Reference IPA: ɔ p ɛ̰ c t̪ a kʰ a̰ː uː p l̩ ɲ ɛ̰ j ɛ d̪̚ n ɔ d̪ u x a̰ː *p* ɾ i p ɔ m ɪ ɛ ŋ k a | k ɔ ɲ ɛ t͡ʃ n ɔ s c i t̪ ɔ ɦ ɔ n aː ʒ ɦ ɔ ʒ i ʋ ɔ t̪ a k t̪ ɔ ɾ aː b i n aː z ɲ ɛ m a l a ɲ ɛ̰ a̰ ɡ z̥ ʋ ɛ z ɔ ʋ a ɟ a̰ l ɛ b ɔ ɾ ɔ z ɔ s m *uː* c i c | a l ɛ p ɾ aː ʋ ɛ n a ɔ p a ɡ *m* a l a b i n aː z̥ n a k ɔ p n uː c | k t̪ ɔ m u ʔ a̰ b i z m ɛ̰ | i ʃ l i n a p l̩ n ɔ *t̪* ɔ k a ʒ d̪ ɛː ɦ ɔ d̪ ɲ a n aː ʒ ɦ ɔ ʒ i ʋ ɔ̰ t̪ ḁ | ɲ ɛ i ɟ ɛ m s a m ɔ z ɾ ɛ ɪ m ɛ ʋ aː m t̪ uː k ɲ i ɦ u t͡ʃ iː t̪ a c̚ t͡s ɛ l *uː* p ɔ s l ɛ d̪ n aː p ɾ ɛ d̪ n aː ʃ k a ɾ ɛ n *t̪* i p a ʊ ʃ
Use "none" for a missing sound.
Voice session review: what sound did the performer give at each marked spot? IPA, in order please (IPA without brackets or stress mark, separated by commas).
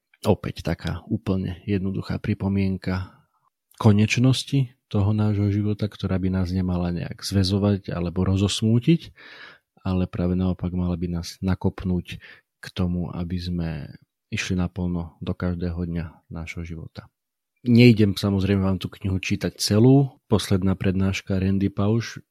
p, uː, m, d̪, uː, d̪